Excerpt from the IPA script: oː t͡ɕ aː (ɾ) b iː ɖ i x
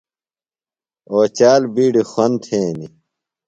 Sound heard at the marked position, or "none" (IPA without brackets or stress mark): l